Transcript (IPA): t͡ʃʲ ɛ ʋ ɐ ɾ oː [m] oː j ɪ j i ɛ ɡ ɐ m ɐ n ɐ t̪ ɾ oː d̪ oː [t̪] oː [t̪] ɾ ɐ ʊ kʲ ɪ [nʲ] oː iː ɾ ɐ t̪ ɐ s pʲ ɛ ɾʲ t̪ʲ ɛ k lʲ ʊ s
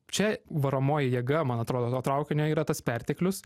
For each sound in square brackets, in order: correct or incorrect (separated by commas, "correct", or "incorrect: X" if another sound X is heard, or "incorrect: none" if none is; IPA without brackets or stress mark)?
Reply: correct, correct, correct, correct